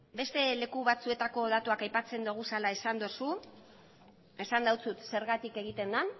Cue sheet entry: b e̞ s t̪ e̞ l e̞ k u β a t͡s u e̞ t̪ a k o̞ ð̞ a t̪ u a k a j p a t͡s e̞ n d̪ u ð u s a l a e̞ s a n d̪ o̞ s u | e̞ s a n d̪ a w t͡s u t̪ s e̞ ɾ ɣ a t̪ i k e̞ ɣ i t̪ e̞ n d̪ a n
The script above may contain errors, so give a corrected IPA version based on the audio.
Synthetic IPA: b e̞ s t̪ e̞ l e̞ k u β a t͡s u e̞ t̪ a k o̞ ð̞ a t̪ u a k a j p a t͡s e̞ n d̪ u ɣ u s a l a e̞ s a n d̪ o̞ s u | e̞ s a n d̪ a w t͡s u t̪ s e̞ ɾ ɣ a t̪ i k e̞ ɣ i t̪ e̞ n d̪ a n